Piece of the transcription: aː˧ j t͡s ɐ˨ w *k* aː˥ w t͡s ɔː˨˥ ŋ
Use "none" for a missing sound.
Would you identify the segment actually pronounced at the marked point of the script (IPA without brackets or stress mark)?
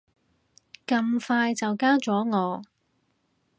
k